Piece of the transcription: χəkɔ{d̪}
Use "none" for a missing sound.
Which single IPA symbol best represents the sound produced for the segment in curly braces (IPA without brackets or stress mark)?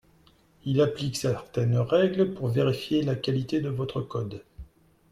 d̪